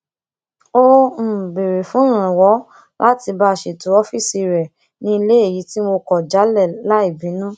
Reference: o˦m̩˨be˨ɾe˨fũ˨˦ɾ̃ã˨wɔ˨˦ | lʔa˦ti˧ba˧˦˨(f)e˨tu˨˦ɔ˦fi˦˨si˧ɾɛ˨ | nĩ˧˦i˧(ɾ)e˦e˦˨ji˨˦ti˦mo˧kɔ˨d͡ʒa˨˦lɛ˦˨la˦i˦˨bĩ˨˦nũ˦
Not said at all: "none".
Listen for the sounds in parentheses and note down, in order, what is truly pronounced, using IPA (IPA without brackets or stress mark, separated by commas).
ʃ, l